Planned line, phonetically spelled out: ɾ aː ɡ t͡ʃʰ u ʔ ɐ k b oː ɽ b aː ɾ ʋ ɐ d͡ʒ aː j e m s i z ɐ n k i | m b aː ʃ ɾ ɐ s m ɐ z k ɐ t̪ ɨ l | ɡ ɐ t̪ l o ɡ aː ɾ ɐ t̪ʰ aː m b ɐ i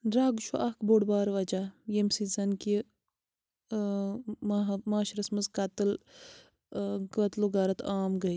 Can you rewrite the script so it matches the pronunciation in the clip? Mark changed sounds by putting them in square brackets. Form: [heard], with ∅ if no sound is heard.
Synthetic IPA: ɾ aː ɡ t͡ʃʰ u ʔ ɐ k b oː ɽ b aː ɾ ʋ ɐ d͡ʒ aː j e m s i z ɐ n k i | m [m] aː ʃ ɾ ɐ s m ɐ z k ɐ t̪ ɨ l | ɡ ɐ t̪ l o ɡ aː ɾ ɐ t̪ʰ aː m [ɡ] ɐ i